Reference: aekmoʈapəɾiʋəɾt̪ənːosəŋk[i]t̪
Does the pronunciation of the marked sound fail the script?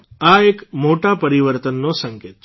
yes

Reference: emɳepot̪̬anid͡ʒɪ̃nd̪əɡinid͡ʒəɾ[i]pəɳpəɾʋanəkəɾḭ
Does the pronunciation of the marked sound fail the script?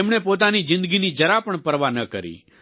yes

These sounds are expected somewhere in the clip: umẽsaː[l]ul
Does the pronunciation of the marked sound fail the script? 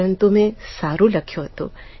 yes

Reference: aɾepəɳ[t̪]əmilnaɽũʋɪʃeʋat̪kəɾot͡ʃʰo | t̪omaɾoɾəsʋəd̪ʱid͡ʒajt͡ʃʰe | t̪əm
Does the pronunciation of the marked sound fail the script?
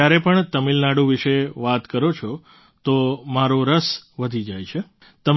no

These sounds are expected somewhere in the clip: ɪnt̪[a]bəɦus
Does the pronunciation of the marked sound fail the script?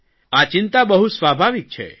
no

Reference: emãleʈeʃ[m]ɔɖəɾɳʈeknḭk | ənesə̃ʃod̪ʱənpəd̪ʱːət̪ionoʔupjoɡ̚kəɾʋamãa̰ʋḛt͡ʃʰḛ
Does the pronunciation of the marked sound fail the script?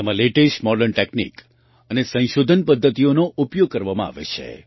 no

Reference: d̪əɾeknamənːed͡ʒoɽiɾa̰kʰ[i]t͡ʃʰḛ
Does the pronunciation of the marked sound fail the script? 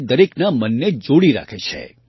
yes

